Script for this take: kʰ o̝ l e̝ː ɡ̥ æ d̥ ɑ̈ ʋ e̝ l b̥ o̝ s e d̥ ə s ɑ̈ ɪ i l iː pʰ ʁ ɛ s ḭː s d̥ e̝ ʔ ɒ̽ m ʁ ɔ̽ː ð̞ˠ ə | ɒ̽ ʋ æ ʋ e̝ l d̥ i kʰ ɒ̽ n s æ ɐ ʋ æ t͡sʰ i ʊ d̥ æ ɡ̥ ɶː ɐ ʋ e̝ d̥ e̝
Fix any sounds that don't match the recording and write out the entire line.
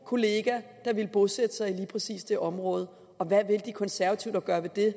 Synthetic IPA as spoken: kʰ o̝ l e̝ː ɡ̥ æ d̥ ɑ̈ ʋ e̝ l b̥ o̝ s e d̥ ə s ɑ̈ ɪ i l iː pʰ ʁ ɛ s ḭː s d̥ e̝ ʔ ɒ̽ m ʁ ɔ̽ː ð̞ˠ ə | ɒ̽ ʋ æ ʋ e̝ l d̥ i kʰ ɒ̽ n s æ ɐ ʋ æ t͡sʰ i ʊ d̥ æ ɡ̥ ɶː ɐ ʋ e̝ d̥ e̝